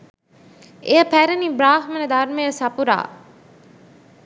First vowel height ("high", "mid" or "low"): mid